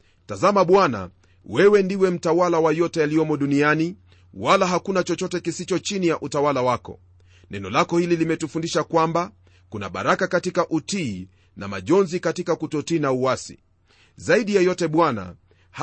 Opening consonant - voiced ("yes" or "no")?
no